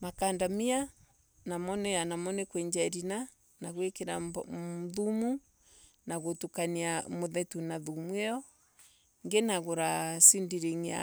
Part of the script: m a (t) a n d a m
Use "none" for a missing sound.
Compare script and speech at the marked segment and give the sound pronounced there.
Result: k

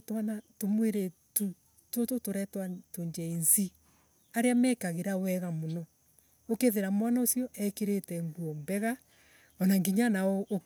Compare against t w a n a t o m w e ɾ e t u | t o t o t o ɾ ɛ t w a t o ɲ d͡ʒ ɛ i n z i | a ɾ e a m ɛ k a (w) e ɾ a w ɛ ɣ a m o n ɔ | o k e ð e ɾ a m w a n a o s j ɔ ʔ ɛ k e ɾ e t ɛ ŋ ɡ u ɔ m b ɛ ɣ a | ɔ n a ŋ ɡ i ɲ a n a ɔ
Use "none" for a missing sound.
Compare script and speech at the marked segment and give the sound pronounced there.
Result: ɣ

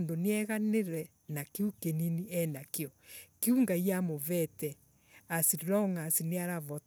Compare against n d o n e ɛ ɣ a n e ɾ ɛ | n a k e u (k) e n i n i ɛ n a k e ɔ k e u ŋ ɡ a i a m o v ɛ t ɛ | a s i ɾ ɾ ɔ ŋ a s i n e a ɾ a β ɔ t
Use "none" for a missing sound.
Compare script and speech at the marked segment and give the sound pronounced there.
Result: k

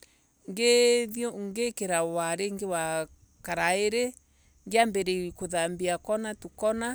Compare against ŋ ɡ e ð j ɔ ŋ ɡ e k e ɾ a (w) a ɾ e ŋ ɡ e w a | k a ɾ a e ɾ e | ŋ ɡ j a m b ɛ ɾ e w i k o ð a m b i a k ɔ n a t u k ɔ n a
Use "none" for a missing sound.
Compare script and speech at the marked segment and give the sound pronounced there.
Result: w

